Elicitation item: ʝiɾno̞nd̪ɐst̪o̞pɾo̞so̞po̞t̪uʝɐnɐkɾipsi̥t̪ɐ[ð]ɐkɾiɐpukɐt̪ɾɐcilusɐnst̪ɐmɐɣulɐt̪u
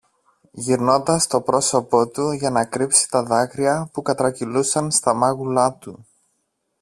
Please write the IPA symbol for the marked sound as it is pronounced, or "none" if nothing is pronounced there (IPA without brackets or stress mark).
ð